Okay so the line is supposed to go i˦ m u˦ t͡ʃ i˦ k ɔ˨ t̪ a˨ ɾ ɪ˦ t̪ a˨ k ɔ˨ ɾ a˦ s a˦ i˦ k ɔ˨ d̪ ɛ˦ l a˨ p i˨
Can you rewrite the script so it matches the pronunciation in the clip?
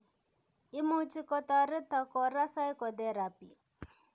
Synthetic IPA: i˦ m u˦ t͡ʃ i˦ k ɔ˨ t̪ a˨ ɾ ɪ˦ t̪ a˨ k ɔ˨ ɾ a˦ s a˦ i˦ k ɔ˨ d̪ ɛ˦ ɾ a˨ p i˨